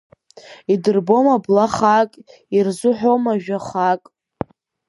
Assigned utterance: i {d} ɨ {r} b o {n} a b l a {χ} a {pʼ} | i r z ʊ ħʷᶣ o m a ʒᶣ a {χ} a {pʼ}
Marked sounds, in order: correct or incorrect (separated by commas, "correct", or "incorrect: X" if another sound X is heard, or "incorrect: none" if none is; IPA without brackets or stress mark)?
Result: correct, correct, incorrect: m, correct, incorrect: kʼ, correct, incorrect: kʼ